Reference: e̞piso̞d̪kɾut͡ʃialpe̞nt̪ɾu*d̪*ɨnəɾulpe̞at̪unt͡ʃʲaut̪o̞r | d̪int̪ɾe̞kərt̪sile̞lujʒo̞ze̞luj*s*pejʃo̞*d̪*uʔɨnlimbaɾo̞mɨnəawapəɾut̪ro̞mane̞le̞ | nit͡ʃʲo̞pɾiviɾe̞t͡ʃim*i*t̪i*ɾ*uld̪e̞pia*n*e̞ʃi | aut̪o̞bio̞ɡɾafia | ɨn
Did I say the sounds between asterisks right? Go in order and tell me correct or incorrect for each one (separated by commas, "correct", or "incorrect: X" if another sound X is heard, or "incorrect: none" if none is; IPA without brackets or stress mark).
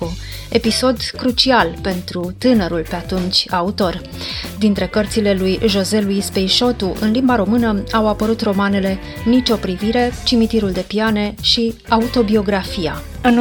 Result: incorrect: t̪, correct, incorrect: t̪, correct, correct, correct